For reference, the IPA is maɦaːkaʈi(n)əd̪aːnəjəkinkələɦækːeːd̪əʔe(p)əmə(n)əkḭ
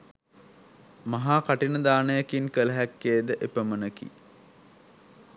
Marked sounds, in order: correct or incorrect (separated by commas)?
correct, correct, correct